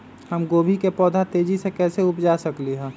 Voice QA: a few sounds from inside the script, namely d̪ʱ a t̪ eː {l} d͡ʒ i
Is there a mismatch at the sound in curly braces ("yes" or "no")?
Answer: yes